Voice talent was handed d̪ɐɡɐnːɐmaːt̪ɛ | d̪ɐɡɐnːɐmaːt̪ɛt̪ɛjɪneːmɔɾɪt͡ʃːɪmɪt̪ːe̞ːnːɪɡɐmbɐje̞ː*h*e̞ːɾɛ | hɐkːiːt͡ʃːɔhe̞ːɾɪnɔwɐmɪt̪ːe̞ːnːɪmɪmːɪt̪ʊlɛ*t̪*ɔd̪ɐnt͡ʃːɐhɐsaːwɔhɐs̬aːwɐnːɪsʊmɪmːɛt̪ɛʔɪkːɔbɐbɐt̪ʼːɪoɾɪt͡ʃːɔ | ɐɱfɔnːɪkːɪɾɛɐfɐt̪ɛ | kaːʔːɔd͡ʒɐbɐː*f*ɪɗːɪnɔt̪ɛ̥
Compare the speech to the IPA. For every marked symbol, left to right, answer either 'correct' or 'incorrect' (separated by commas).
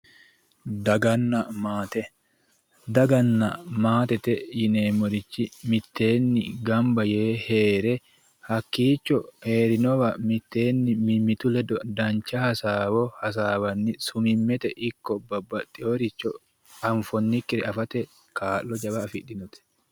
correct, incorrect, correct